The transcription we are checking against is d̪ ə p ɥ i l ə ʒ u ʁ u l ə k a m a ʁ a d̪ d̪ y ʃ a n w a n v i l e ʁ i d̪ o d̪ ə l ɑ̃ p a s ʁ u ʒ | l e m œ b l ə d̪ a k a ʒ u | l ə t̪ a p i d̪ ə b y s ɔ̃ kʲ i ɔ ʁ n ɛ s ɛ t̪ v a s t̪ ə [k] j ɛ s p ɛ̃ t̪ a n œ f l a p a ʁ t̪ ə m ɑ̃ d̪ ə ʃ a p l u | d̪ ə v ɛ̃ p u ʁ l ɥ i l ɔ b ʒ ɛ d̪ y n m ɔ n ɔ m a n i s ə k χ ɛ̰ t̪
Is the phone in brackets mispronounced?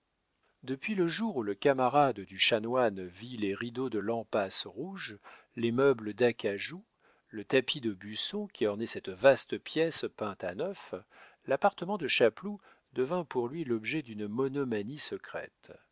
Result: yes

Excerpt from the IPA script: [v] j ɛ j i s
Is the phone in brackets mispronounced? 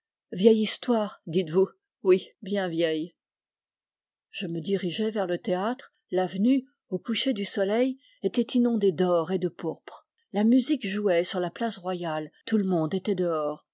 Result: no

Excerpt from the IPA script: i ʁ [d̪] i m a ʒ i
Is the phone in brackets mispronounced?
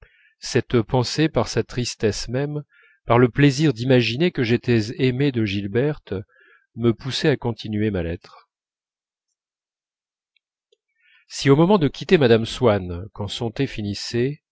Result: no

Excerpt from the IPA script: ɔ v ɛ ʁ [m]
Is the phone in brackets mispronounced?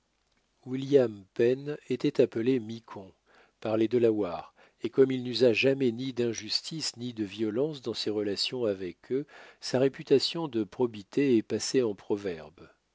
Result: yes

